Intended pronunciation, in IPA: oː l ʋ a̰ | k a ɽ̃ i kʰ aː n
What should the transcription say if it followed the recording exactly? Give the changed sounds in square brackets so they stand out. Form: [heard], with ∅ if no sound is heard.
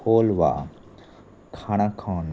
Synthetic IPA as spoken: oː l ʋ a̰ | [kʰ] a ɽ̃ [a] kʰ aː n